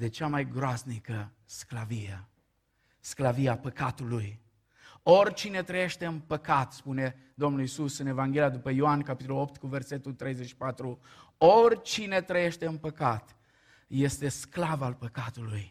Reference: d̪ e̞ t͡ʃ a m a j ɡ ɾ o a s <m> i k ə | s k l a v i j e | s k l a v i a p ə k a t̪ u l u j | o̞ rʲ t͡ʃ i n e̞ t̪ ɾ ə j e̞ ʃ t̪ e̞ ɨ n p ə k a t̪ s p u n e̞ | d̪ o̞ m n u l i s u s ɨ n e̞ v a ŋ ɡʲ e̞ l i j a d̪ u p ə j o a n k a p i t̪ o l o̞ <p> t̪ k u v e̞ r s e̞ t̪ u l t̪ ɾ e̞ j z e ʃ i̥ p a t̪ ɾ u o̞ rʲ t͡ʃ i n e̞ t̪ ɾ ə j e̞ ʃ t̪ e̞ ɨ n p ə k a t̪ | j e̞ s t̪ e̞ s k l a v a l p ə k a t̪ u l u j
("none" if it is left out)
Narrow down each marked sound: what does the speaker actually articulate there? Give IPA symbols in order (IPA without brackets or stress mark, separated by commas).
n, p